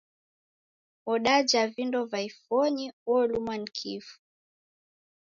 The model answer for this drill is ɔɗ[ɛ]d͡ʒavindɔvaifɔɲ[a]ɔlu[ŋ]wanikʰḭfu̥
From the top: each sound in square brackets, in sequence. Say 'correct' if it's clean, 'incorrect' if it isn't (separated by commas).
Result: incorrect, incorrect, incorrect